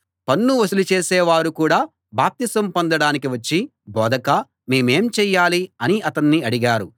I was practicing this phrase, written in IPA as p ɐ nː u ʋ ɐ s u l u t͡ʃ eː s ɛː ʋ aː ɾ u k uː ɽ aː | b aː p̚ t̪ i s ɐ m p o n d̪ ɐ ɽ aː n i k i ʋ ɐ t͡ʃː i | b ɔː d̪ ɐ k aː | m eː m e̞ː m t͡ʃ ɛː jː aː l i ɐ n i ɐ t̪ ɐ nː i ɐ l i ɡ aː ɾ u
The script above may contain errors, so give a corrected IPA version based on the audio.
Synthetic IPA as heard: p ɐ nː u ʋ ɐ s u l u t͡ʃ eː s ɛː ʋ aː ɾ u k uː ɽ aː | b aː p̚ t̪ i s ɐ m p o n d̪ ɐ ɽ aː n i k i ʋ ɐ t͡ʃː i | b ɔː d̪ ɐ k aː | m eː m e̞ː m t͡ʃ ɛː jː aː l i ɐ n i ɐ t̪ ɐ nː i ɐ ɽ i ɡ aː ɾ u